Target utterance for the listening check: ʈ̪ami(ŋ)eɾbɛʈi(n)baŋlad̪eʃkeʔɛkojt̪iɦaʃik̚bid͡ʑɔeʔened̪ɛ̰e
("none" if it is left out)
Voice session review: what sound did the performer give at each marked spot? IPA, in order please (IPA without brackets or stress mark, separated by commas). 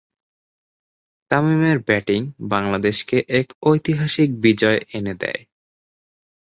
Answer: m, ŋ